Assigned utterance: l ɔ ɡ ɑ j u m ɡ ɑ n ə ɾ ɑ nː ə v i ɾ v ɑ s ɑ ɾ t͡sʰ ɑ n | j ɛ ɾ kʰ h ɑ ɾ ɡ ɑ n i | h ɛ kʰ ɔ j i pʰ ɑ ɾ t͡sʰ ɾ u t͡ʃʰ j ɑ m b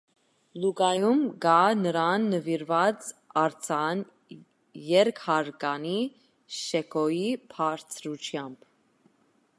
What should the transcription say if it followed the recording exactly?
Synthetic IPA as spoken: l u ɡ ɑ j u m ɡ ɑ n ə ɾ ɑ nː ə v i ɾ v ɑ t͡s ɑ ɾ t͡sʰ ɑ n | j ɛ ɾ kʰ h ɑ ɾ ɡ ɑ n i | ʃ ɛ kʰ ɔ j i pʰ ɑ ɾ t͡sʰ ɾ u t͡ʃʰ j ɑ m b

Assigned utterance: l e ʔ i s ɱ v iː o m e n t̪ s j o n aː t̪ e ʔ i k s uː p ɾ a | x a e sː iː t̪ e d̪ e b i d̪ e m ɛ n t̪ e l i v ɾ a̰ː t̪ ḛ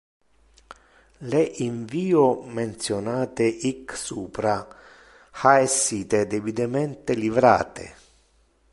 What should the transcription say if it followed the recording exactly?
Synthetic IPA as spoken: l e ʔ i ɱ v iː o m e n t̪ s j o n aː t̪ e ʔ i k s uː p ɾ a | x a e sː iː t̪ e d̪ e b i d̪ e m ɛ n t̪ e l i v ɾ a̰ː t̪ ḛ

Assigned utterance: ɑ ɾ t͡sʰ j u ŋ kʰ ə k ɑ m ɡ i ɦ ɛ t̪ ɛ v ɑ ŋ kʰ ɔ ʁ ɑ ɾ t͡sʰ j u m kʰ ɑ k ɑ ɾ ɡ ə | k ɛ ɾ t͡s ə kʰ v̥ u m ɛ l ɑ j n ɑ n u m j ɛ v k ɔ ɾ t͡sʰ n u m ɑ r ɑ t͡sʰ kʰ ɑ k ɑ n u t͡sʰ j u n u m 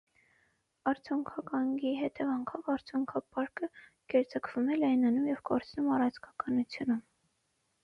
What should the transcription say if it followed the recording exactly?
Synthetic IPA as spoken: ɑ ɾ t͡sʰ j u ŋ kʰ ɑ k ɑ ŋ ɡ i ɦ ɛ t̪ ɛ v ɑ ŋ kʰ ɔ v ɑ ɾ t͡sʰ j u ŋ kʰ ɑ p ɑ ɾ k ə | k ɛ ɾ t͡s ə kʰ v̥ u m ɛ l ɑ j n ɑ n u m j ɛ v k ɔ ɾ t͡sʰ n u m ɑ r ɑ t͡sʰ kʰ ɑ k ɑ n u t͡sʰ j u n u m

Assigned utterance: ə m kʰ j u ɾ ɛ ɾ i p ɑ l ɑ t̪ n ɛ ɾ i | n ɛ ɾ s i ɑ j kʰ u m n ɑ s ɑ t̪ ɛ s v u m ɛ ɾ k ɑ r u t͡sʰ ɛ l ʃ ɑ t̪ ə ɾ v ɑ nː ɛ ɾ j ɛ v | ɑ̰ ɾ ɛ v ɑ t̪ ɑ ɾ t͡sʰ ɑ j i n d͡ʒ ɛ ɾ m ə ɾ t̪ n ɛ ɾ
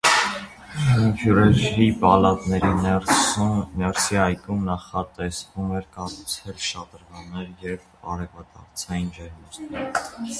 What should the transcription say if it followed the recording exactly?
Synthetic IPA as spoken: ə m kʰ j u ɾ ɛ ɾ i p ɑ l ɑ t̪ n ɛ ɾ i | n ɛ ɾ s i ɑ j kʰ u m n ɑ χ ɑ t̪ ɛ s v u m ɛ ɾ k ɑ r u t͡sʰ ɛ l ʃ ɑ t̪ ə ɾ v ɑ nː ɛ ɾ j ɛ v | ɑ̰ ɾ ɛ v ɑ t̪ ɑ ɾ t͡sʰ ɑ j i n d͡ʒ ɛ ɾ m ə ɾ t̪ n ɛ ɾ

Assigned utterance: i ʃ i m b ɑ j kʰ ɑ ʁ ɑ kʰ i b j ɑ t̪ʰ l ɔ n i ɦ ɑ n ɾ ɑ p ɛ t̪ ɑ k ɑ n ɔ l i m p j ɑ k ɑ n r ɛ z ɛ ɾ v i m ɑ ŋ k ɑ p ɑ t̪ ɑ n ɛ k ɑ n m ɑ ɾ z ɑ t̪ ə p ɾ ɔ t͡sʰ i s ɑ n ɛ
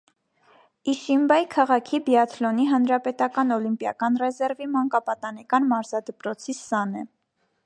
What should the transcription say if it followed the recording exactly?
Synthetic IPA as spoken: i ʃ i m b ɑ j kʰ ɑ ʁ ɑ kʰ i b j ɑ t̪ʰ l ɔ n i ɦ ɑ n ɾ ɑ p ɛ t̪ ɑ k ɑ n ɔ l i m p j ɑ k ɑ n r ɛ z ɛ ɾ v i m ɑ ŋ k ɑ p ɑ t̪ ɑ n ɛ k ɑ n m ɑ ɾ z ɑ d̪ ə p ɾ ɔ t͡sʰ i s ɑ n ɛ

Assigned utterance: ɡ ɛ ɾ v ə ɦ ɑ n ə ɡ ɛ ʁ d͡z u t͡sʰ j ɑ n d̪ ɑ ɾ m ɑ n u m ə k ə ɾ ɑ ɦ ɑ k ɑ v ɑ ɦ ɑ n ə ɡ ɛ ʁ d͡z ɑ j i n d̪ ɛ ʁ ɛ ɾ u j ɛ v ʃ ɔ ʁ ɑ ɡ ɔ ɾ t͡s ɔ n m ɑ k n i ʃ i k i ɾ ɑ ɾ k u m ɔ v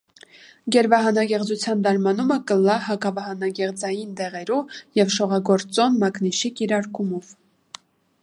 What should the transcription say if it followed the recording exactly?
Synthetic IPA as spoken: ɡ ɛ ɾ v ɑ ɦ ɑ n ɑ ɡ ɛ ʁ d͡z u t͡sʰ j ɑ n d̪ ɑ ɾ m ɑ n u m ə k ə l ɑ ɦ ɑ k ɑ v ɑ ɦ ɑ n ɑ ɡ ɛ ʁ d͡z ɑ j i n d̪ ɛ ʁ ɛ ɾ u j ɛ v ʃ ɔ ʁ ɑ ɡ ɔ ɾ t͡s ɔ n m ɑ k n i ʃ i k i ɾ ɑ ɾ k u m ɔ v

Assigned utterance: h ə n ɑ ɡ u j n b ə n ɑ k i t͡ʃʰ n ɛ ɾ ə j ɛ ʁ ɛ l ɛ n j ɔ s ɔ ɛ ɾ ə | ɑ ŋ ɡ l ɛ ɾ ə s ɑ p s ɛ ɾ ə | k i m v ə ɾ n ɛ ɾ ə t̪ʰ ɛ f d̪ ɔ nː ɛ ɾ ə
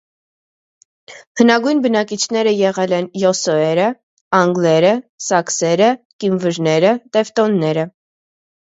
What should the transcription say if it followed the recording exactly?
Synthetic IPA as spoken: h ə n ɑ ɡ u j n b ə n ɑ k i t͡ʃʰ n ɛ ɾ ə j ɛ ʁ ɛ l ɛ n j ɔ s ɔ ɛ ɾ ə | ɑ ŋ ɡ l ɛ ɾ ə s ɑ k s ɛ ɾ ə | k i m v ə ɾ n ɛ ɾ ə t̪ ɛ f t̪ ɔ nː ɛ ɾ ə

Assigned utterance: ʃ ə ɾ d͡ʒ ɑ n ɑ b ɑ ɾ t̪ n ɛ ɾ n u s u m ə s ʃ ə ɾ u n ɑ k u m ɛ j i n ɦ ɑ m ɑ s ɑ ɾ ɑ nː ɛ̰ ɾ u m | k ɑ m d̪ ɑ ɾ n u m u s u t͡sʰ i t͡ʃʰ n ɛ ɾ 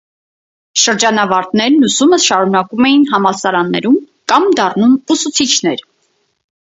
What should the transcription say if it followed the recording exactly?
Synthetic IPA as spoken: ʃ ə ɾ d͡ʒ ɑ n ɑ v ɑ ɾ t̪ n ɛ ɾ n u s u m ə s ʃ ɑ ɾ u n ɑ k u m ɛ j i n ɦ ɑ m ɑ s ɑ ɾ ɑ nː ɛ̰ ɾ u m | k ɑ m d̪ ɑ r n u m u s u t͡sʰ i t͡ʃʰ n ɛ ɾ

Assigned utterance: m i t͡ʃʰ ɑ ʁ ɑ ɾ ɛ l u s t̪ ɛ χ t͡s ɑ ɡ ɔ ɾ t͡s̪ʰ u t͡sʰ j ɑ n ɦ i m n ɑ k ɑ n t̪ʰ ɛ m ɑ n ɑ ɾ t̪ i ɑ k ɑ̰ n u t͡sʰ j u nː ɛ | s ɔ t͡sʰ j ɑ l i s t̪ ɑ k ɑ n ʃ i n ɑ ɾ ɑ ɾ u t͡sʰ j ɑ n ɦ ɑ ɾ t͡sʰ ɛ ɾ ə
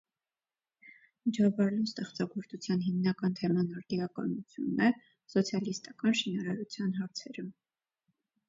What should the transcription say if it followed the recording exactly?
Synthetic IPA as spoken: m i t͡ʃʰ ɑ v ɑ ɾ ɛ l u s t̪ ɛ χ t͡s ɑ ɡ ɔ ɾ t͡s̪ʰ u t͡sʰ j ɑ n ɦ i m n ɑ k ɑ n t̪ʰ ɛ m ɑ n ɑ ɾ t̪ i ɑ k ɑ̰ n u t͡sʰ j u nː ɛ | s ɔ t͡sʰ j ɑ l i s t̪ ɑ k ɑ n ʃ i n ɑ ɾ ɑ ɾ u t͡sʰ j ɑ n ɦ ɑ ɾ t͡sʰ ɛ ɾ ə

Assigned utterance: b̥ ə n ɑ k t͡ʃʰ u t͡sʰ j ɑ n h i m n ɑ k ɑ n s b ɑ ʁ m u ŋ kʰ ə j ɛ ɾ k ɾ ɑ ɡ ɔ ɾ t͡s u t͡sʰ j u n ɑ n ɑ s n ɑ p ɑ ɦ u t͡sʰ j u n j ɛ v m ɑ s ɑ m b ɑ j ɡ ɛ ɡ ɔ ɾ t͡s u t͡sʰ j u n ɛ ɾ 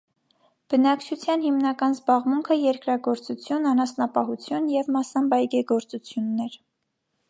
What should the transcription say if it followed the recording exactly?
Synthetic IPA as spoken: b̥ ə n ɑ k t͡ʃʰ u t͡sʰ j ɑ n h i m n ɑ k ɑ n z b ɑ ʁ m u ŋ kʰ ə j ɛ ɾ k ɾ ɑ ɡ ɔ ɾ t͡s u t͡sʰ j u n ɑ n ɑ s n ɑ p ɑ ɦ u t͡sʰ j u n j ɛ v m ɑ s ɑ m b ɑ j ɡ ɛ ɡ ɔ ɾ t͡s u t͡sʰ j u nː ɛ ɾ

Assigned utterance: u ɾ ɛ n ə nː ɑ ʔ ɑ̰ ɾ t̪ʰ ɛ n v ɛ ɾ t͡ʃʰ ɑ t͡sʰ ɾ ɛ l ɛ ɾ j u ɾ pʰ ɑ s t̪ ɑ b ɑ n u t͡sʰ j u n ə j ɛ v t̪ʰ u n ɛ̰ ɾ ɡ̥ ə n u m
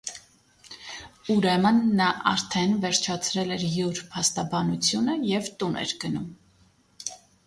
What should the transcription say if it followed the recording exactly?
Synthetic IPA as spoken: u ɾ ɛ m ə nː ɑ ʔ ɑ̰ ɾ t̪ʰ ɛ n v ɛ ɾ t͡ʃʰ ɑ t͡sʰ ɾ ɛ l ɛ ɾ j u ɾ pʰ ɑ s t̪ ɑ b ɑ n u t͡sʰ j u n ə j ɛ v t̪ u n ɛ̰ ɾ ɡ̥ ə n u m

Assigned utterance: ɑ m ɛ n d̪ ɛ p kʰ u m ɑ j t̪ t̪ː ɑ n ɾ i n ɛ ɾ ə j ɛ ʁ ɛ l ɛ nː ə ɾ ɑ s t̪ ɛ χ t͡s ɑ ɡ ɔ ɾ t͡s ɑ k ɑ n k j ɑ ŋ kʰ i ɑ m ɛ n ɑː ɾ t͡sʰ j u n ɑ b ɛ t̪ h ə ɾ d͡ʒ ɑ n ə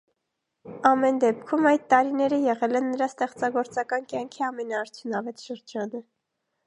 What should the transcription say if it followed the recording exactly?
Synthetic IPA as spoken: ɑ m ɛ n d̪ ɛ p kʰ u m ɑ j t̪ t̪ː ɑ ɾ i n ɛ ɾ ə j ɛ ʁ ɛ l ɛ nː ə ɾ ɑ s t̪ ɛ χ t͡s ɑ ɡ ɔ ɾ t͡s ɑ k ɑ n k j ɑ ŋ kʰ i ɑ m ɛ n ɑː ɾ t͡sʰ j u n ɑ v ɛ t̪ ʃ ə ɾ d͡ʒ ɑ n ə

